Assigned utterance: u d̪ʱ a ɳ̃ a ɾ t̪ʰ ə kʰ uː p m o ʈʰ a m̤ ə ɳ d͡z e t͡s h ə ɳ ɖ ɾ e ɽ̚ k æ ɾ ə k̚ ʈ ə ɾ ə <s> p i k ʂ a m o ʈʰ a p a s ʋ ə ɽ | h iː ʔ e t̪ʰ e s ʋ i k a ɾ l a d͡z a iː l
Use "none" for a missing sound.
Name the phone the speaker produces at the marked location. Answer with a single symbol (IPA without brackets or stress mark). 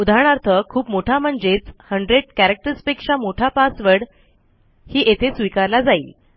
s